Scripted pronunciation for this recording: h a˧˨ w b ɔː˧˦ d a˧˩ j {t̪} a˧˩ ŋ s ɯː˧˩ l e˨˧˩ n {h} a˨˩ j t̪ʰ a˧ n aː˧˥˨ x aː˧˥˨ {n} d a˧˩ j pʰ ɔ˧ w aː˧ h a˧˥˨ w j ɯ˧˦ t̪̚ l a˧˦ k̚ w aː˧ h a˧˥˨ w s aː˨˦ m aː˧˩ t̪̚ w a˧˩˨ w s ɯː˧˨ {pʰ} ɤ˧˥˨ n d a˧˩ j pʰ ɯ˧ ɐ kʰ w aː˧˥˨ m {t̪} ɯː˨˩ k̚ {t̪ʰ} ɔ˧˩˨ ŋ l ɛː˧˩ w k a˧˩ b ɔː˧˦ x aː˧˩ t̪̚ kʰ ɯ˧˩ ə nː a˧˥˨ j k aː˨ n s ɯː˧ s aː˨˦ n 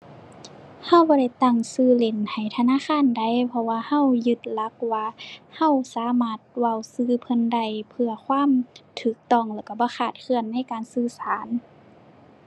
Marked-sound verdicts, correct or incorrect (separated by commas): correct, correct, correct, correct, incorrect, incorrect